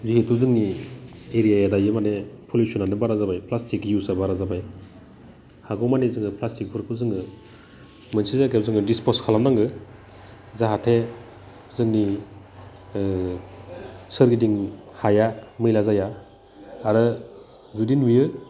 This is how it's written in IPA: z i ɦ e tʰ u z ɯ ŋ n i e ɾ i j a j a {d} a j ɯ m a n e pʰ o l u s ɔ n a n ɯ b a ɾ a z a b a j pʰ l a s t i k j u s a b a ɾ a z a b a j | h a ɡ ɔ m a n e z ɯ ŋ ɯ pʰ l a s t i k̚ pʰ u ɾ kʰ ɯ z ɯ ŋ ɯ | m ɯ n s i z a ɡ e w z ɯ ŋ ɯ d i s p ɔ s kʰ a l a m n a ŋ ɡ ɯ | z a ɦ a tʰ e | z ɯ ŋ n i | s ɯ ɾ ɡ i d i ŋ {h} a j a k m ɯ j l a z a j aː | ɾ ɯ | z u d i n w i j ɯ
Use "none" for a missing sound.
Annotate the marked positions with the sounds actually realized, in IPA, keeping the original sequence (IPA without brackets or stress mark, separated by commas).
d, h